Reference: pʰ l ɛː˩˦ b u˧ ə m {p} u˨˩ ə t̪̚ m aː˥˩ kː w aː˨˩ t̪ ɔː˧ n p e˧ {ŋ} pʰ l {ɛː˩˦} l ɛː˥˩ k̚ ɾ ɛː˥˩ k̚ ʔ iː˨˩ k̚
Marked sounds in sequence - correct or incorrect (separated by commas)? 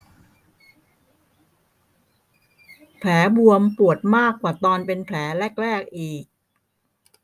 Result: correct, incorrect, correct